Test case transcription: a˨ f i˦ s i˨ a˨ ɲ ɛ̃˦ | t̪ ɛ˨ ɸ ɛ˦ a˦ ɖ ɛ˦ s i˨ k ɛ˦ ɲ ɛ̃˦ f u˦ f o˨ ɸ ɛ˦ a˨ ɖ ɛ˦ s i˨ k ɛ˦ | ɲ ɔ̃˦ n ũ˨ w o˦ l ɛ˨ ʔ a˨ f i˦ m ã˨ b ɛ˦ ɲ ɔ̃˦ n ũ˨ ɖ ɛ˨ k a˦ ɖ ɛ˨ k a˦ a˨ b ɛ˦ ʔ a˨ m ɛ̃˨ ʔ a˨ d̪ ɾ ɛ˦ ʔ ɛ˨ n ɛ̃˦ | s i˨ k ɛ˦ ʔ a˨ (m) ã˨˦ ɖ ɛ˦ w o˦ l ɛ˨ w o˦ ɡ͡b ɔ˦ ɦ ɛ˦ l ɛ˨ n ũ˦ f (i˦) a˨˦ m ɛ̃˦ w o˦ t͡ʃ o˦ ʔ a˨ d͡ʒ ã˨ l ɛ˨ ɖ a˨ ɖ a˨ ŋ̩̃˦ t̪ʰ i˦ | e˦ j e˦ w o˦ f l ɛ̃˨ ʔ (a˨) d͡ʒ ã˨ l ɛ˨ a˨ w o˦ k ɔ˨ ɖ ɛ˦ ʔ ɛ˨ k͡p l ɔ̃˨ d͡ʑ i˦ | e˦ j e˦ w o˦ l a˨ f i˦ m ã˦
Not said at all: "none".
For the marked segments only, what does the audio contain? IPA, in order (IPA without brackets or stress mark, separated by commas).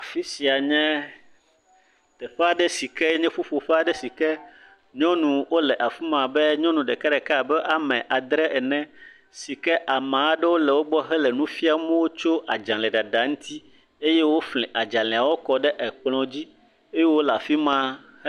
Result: m, i˦, a˨